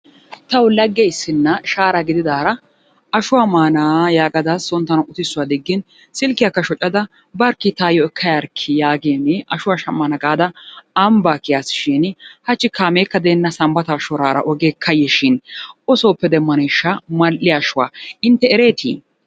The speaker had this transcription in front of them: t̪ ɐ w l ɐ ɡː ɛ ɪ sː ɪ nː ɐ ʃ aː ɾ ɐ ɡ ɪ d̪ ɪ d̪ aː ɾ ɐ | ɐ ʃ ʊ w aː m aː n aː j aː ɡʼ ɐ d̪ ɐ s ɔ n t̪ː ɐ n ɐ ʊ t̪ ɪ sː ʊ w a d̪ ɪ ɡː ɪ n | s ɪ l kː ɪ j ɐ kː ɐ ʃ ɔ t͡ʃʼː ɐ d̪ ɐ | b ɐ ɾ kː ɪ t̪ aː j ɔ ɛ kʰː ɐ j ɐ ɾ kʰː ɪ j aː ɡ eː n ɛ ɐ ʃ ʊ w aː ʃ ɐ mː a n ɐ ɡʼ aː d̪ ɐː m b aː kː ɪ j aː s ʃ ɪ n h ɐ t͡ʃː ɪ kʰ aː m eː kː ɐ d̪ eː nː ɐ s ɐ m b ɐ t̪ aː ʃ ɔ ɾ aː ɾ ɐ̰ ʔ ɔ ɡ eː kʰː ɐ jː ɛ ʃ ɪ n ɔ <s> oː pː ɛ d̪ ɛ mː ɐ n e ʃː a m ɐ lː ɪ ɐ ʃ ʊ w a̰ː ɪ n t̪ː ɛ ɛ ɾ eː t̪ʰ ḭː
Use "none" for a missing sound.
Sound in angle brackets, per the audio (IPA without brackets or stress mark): s